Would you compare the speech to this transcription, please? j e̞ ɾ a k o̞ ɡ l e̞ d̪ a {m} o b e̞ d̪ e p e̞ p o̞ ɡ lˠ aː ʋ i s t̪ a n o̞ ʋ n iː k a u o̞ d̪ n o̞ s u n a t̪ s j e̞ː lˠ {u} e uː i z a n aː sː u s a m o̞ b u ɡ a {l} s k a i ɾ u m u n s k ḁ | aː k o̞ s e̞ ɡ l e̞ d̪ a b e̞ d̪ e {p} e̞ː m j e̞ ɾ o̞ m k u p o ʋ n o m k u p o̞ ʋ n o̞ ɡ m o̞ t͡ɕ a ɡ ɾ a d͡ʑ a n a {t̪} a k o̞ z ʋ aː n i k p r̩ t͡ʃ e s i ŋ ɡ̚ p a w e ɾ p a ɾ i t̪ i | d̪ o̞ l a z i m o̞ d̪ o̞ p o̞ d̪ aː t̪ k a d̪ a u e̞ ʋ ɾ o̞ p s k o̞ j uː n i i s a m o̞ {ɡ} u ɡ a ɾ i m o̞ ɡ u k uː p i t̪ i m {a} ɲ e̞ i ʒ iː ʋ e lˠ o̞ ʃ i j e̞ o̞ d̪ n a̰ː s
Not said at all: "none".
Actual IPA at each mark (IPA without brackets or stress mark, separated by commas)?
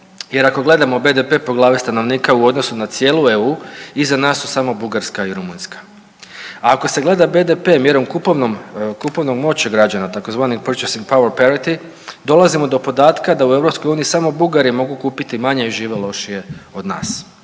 m, u, ɾ, p, t̪, b, a